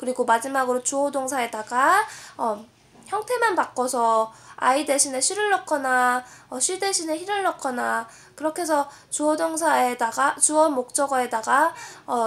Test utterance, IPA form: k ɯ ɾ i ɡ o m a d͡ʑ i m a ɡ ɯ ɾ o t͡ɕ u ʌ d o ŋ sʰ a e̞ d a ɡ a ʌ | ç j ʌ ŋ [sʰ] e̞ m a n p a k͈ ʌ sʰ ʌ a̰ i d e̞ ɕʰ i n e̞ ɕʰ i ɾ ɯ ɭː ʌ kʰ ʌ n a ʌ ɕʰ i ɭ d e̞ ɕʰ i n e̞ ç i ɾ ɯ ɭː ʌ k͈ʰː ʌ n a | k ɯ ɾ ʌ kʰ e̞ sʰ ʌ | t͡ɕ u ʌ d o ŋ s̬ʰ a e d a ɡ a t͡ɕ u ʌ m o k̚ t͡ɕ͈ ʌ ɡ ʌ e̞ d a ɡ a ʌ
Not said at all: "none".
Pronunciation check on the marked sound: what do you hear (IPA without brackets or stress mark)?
tʰ